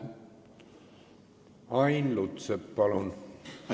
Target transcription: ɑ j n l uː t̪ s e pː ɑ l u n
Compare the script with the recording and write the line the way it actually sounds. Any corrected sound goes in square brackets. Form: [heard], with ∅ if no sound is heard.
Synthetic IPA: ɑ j n l [u] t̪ s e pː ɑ l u n